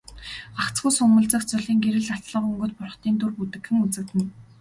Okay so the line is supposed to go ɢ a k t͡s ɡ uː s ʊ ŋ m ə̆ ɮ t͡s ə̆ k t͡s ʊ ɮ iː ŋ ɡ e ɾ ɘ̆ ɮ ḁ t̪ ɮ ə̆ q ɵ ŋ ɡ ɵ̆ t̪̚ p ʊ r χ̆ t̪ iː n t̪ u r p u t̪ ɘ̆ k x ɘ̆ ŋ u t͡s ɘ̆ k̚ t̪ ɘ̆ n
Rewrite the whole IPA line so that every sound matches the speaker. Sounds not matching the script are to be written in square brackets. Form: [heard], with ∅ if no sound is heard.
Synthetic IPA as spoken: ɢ a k t͡s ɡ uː s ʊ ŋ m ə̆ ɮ t͡s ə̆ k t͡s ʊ ɮ iː ŋ ɡ e ɾ ɘ̆ ɮ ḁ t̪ ɮ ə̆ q ɵ ŋ ɡ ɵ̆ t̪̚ p ʊ r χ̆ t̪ iː n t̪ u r p u t̪ ɘ̆ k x ɘ̆ ŋ u t͡s ɘ̆ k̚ t̪ ɘ̆ n